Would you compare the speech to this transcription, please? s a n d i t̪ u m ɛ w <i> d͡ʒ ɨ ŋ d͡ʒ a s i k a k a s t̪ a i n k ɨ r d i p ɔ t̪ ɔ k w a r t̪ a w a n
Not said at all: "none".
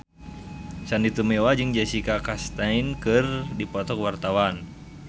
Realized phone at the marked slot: a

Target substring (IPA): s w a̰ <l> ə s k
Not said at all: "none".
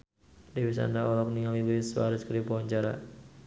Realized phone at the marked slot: ɾ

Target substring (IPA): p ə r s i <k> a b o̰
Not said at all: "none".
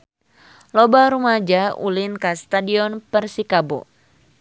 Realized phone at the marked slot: k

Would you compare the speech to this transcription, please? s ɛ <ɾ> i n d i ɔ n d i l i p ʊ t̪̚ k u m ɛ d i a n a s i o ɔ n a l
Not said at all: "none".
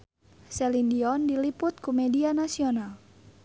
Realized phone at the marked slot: l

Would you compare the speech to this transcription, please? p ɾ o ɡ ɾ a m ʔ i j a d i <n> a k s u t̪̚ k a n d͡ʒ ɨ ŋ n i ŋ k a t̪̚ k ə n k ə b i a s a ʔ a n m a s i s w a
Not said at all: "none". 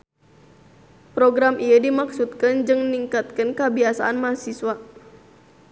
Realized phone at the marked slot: m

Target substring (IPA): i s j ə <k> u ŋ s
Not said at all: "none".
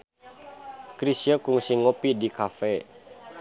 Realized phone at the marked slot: k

